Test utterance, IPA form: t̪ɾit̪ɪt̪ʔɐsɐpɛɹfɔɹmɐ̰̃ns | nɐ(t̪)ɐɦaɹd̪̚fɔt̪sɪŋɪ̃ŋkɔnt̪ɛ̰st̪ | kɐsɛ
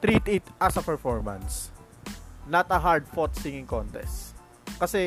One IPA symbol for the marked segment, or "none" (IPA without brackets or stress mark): t̪